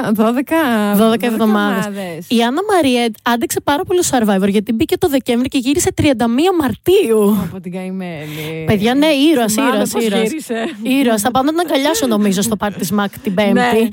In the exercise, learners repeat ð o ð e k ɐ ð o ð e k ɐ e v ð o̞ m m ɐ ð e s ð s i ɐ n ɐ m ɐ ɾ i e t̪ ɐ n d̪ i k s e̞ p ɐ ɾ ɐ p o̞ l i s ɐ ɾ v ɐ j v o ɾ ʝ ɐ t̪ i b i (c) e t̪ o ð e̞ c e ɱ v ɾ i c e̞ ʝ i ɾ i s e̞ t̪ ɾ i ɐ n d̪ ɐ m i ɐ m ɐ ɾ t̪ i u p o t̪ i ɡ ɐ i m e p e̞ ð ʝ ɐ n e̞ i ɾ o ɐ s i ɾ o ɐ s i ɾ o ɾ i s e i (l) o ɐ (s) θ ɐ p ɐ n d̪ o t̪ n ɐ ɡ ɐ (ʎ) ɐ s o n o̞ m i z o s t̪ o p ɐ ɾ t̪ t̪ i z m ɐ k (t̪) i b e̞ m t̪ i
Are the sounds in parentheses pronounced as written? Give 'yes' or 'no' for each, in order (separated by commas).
yes, no, yes, yes, yes